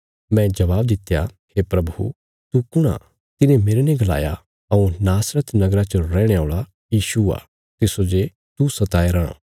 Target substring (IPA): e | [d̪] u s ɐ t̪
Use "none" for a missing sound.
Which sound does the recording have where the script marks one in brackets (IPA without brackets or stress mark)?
t̪